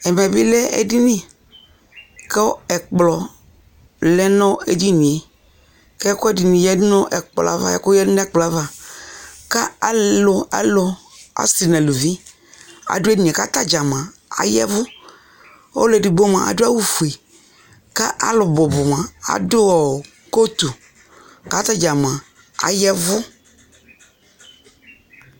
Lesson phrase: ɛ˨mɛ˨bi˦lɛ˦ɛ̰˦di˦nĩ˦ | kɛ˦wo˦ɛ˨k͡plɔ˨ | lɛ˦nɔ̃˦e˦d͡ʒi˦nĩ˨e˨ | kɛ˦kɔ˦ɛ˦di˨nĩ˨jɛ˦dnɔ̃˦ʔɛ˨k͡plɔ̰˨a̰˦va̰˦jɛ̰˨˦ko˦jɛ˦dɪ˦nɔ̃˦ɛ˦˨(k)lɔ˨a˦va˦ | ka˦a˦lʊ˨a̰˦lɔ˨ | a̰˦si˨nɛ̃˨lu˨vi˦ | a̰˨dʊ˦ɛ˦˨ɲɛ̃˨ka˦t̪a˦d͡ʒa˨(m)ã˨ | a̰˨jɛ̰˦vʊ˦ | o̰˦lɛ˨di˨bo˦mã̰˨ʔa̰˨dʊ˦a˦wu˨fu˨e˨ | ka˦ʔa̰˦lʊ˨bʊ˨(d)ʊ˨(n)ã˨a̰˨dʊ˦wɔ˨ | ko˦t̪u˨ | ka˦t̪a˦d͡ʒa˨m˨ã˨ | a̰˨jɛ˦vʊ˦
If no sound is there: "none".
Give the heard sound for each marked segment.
k͡p, m, b, m

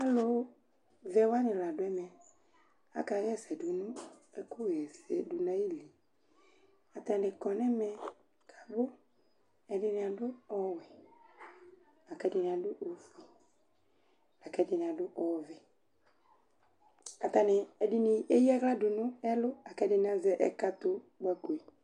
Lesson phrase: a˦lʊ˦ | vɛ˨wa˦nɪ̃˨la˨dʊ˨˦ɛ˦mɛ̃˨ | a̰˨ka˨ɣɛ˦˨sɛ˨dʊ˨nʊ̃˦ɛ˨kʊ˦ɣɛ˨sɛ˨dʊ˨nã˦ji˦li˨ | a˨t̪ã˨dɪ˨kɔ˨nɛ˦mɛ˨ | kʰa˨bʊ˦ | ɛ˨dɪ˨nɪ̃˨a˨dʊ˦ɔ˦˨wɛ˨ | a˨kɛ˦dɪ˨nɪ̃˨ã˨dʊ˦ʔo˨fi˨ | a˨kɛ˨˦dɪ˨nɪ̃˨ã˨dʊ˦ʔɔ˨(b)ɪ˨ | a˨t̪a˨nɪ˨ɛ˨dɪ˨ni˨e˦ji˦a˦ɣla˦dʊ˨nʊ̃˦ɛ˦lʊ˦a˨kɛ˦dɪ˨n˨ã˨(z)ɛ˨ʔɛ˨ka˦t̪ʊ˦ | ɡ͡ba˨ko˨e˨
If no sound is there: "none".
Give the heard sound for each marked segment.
v, z

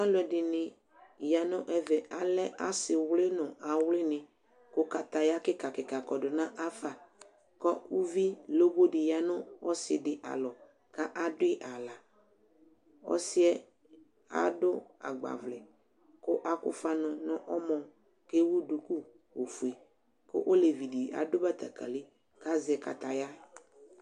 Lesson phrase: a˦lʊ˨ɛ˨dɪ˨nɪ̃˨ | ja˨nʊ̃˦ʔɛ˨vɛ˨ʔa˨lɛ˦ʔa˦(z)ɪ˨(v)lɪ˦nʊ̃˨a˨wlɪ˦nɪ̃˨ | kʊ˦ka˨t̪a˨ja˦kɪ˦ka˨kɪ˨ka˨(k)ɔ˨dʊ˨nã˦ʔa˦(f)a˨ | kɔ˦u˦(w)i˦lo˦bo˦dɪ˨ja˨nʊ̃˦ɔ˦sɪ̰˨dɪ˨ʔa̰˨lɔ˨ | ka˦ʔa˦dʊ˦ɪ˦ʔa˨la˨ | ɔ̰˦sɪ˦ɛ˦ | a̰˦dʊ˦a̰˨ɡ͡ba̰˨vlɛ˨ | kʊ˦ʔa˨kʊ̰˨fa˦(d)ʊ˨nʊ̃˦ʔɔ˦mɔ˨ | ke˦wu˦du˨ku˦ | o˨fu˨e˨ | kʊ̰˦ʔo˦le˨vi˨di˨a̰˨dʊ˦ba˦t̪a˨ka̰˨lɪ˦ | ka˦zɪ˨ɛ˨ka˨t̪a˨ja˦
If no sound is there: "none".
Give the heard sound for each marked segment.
s, w, k, f, v, n

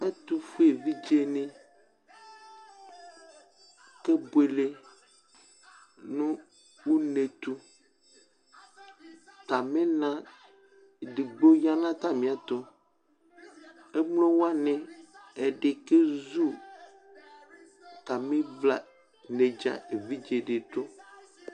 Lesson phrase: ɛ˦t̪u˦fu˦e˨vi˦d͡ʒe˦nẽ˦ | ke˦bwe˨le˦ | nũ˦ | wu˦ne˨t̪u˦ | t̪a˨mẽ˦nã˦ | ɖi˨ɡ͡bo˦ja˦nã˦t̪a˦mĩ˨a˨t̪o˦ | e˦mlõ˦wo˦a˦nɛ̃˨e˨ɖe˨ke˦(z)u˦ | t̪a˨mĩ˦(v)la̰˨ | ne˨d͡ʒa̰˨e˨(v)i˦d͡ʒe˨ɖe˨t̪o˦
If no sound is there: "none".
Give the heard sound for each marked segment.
z, v, v

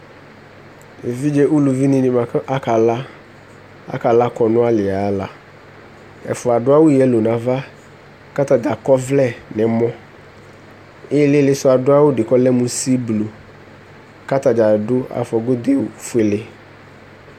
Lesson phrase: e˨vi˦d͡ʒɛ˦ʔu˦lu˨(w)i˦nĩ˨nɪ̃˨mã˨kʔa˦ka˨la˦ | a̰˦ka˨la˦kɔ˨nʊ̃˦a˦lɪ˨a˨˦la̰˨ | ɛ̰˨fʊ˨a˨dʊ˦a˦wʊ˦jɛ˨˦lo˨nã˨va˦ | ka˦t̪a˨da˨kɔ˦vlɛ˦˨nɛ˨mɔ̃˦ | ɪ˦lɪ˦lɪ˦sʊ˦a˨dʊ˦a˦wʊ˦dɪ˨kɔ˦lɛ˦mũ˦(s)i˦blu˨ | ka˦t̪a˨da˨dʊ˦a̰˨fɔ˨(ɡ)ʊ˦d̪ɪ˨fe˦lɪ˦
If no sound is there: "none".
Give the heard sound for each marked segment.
v, s, ɡ

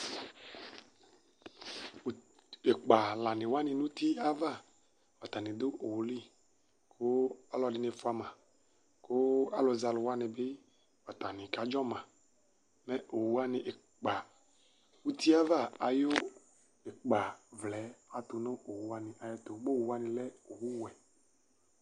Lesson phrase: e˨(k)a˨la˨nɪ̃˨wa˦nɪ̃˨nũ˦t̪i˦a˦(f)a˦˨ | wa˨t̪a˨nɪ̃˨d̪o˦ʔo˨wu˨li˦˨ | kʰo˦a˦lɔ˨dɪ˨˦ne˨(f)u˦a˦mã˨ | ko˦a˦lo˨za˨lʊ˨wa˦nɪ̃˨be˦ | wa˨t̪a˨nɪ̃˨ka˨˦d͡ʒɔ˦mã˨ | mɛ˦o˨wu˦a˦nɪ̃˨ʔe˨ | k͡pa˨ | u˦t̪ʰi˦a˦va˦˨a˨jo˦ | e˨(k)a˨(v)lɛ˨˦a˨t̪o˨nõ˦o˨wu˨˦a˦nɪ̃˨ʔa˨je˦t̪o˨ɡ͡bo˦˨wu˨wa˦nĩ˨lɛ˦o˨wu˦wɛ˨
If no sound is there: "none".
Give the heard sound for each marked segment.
k͡p, v, f, k͡p, v

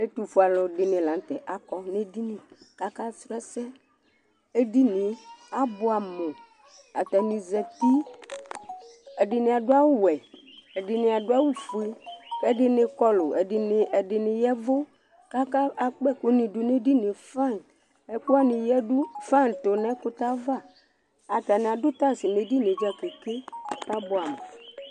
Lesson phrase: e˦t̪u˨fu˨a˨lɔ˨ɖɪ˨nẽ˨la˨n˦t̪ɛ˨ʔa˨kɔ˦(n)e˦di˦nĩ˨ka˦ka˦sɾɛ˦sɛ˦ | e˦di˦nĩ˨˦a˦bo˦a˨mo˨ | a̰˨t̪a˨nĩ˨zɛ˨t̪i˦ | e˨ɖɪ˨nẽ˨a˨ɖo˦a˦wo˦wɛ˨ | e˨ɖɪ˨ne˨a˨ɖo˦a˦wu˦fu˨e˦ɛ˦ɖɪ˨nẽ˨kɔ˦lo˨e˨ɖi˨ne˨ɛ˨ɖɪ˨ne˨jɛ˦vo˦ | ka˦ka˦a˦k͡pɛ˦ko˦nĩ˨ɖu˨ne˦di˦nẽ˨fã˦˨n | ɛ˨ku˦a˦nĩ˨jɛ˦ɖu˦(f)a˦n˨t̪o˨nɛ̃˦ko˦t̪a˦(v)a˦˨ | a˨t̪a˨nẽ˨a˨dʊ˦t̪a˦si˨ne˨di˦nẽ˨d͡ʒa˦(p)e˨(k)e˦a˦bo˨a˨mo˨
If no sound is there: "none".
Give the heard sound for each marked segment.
n, f, v, k, k

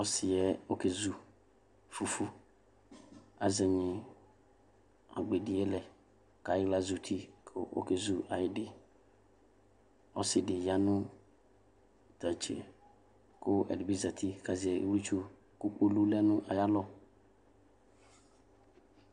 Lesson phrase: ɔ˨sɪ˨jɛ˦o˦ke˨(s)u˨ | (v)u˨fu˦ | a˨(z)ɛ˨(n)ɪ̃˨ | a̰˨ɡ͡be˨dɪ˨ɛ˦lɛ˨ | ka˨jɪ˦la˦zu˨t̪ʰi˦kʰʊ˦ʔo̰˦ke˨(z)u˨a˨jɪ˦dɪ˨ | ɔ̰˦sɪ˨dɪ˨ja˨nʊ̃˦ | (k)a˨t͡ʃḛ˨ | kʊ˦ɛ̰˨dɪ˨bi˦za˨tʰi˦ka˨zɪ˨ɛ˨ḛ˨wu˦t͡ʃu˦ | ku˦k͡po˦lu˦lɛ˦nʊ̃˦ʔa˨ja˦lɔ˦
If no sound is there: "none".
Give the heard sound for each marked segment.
z, f, z, ɲ, z, t

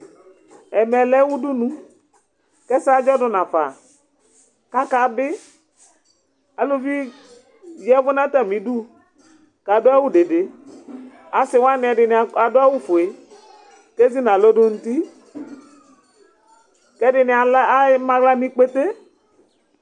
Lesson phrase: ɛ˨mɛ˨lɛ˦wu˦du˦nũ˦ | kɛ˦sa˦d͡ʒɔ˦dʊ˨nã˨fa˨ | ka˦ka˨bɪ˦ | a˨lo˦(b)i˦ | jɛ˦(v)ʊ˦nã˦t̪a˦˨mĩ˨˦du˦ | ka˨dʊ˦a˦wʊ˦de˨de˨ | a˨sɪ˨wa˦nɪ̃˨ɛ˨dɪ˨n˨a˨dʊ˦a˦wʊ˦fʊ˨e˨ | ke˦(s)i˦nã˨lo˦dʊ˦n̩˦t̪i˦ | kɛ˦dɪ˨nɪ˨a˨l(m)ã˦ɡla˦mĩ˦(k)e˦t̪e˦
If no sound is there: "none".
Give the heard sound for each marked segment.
v, v, z, m, k͡p

